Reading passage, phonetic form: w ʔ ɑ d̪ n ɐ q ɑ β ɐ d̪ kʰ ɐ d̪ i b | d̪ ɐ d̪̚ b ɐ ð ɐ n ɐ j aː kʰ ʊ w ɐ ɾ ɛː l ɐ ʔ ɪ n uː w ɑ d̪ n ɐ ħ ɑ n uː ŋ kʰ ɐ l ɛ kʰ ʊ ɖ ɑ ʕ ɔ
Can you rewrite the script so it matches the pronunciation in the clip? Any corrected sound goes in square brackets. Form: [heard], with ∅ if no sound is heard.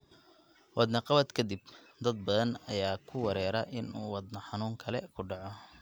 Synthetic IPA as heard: w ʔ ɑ d̪ n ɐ q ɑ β ɐ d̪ kʰ ɐ d̪ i b | d̪ ɐ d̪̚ b ɐ ð ɐ n ɐ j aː kʰ ʊ w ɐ ɾ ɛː [ɾ] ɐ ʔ ɪ n uː w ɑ d̪ n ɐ ħ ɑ n uː ŋ kʰ ɐ l ɛ kʰ ʊ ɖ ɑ ʕ ɔ